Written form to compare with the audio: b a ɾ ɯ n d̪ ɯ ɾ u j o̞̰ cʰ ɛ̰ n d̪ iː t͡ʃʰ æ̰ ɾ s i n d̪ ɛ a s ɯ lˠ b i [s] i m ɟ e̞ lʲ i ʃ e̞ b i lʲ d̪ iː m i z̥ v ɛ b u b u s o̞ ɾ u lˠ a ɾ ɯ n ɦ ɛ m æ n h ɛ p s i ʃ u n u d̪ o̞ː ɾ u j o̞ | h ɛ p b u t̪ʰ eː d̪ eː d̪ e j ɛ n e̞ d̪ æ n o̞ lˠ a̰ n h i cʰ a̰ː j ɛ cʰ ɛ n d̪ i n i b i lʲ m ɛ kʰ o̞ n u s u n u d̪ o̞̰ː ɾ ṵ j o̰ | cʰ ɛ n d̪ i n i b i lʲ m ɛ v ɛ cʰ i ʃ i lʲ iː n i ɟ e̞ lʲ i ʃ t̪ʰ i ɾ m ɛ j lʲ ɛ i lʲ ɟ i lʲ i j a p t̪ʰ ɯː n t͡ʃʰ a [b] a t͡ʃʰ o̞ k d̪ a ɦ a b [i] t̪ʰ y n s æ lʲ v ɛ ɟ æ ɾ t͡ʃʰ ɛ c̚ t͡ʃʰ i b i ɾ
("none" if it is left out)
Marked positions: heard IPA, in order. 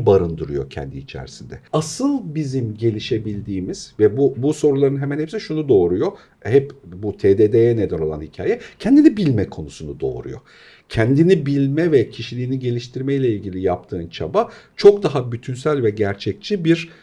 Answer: z, b, y

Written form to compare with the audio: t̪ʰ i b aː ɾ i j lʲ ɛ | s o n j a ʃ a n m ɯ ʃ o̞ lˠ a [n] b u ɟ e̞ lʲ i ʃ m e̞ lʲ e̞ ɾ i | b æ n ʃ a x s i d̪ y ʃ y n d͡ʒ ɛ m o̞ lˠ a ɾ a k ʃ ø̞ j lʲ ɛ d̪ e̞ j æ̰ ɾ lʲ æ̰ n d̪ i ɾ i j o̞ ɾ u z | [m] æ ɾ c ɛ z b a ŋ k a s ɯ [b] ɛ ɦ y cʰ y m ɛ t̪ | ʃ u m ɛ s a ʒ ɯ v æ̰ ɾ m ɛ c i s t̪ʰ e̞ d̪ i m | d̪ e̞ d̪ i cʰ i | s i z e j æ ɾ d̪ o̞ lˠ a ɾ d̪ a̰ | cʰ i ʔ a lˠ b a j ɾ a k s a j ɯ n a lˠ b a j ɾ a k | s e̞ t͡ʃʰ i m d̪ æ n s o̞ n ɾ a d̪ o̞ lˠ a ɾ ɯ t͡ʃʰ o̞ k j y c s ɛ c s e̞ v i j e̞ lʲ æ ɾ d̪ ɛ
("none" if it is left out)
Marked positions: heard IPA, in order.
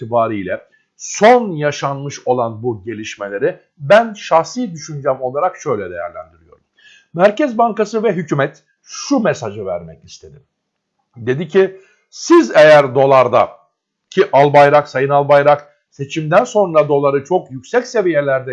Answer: n, m, v

